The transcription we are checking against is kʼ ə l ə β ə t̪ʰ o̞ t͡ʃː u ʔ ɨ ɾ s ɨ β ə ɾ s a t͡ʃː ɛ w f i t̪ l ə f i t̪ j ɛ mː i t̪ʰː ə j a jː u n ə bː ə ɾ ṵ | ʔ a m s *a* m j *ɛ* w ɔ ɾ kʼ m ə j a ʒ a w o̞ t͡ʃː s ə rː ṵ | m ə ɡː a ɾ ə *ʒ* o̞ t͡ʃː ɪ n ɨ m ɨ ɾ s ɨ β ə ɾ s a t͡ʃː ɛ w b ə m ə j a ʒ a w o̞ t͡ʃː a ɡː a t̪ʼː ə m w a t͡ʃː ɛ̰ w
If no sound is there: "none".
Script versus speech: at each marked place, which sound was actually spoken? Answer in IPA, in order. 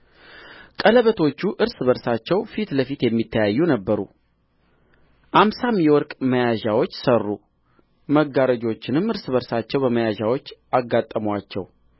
a, ɛ, d͡ʒ

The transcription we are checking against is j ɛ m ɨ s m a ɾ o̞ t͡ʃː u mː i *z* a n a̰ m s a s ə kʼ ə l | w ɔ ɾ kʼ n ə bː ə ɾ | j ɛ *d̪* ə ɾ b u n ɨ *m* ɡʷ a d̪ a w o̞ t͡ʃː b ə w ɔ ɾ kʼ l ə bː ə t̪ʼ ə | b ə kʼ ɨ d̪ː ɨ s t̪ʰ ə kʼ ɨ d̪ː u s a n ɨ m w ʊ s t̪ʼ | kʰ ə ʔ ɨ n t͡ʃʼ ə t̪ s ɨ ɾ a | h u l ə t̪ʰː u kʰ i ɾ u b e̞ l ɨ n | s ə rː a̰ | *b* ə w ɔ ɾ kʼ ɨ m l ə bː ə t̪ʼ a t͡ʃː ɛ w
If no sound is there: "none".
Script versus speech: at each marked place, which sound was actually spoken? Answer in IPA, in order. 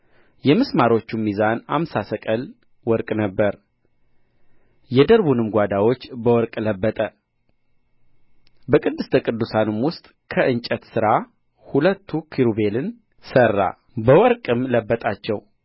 z, d̪, m, b

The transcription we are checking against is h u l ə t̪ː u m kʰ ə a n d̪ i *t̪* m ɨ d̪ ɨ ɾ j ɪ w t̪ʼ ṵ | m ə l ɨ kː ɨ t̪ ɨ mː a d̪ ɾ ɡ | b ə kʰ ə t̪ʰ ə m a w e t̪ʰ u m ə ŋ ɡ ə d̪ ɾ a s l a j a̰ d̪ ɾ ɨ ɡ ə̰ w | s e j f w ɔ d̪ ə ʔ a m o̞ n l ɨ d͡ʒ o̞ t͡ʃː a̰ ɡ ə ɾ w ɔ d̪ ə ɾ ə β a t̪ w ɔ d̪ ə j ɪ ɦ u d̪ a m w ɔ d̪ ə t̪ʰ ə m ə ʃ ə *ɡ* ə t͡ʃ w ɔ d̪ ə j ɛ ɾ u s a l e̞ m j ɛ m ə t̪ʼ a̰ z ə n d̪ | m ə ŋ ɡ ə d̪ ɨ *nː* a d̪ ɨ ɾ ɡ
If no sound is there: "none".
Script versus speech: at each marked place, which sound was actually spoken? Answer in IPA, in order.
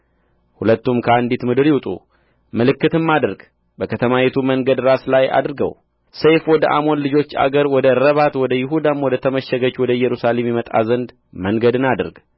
t̪, ɡ, n

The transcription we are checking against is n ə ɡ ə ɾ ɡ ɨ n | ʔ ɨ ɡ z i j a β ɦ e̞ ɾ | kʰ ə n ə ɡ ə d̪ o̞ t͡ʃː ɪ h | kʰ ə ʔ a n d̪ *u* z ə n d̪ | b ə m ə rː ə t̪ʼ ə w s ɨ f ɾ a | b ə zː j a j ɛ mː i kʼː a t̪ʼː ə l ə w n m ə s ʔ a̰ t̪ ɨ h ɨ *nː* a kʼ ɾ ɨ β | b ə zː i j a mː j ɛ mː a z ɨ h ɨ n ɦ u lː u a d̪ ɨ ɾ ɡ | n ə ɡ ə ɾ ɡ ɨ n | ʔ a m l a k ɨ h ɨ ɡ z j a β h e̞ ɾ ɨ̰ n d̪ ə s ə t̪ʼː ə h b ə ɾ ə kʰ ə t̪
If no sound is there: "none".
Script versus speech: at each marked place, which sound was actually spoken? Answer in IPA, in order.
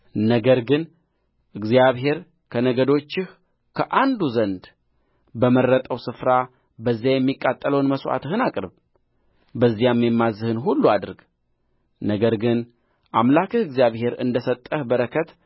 u, n

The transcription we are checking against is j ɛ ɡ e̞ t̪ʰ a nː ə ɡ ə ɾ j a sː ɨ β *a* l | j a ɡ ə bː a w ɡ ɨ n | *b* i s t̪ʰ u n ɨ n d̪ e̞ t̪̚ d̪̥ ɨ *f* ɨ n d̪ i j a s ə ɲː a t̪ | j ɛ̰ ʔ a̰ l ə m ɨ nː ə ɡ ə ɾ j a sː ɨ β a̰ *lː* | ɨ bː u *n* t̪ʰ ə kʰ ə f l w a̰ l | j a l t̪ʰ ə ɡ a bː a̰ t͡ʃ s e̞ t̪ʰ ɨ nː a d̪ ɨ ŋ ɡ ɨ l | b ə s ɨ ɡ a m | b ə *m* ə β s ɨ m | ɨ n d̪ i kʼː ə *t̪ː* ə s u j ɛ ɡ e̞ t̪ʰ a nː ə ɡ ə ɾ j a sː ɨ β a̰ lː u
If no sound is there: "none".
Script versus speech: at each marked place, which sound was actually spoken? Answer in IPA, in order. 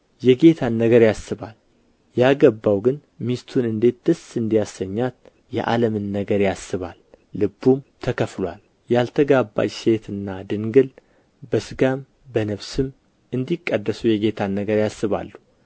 a, m, s, lː, m, n, d̪ː

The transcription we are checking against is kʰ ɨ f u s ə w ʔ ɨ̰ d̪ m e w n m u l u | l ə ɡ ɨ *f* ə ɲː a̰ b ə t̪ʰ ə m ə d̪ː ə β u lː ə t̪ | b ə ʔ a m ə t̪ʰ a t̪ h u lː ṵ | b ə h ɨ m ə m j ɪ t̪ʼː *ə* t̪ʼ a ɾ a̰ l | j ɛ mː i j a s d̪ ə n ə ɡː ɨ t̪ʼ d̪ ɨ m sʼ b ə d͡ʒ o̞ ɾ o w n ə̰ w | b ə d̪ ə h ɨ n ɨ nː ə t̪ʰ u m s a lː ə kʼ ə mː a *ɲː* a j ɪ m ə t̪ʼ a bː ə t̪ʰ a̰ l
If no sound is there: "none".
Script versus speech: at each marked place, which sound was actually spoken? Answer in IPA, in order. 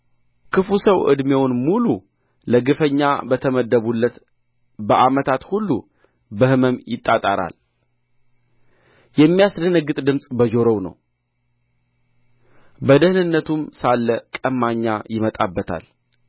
f, a, ɲː

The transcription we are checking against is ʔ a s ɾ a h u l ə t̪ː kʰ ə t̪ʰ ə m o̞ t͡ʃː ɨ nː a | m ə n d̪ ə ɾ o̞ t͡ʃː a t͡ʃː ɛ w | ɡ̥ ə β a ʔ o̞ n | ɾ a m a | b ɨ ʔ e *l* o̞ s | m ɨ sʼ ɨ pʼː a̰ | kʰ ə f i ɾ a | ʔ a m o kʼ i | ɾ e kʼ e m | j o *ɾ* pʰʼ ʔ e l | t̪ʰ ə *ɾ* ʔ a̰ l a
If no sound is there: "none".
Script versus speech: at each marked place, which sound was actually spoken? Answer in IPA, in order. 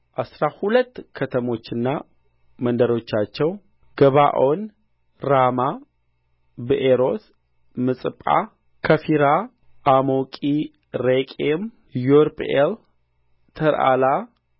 ɾ, ɾ, ɾ

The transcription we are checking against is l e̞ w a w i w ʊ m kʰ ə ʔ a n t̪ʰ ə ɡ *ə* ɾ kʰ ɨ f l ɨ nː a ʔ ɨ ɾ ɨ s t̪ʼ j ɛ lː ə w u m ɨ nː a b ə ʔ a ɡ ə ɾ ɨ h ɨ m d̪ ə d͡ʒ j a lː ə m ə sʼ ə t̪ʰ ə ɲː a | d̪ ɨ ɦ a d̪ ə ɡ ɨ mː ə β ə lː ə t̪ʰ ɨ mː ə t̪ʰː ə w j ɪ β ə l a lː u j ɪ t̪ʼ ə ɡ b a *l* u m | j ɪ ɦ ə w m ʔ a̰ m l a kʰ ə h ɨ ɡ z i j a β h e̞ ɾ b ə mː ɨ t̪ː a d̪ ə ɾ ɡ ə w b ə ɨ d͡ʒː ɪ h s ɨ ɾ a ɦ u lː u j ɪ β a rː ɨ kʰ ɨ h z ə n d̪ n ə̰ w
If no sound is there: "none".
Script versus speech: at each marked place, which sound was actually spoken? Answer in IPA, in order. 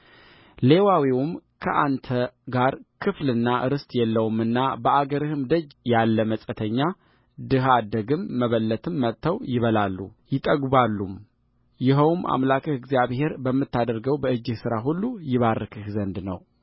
a, lː

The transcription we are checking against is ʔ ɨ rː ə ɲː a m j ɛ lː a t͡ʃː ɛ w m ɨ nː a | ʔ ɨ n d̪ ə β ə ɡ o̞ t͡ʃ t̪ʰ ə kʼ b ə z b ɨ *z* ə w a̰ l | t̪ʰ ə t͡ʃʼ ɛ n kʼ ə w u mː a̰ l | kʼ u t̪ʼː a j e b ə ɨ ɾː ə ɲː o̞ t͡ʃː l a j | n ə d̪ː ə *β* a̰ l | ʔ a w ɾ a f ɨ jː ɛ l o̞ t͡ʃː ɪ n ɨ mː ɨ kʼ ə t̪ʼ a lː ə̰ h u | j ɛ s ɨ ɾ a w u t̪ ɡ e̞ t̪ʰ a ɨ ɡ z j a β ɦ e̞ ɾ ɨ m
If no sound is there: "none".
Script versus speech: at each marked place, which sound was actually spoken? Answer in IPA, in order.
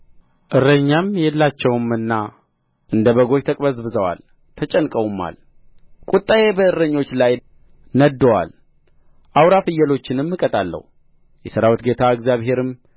z, w

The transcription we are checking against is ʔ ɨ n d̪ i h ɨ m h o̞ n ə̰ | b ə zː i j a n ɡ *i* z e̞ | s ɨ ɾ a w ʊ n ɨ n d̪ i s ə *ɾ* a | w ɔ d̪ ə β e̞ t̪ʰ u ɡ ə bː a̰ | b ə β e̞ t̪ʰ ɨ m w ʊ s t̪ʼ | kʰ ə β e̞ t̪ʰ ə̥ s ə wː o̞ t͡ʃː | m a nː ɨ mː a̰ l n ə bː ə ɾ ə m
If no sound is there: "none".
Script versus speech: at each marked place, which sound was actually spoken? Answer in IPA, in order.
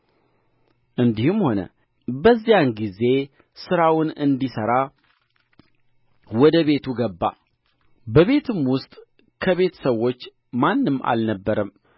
i, ɾ

